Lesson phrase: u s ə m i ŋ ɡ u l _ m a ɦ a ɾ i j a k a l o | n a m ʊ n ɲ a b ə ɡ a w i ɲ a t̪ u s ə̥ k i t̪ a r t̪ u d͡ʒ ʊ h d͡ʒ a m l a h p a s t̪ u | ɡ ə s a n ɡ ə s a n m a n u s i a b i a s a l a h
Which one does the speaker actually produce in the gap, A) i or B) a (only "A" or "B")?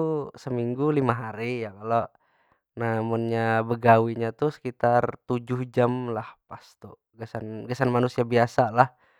A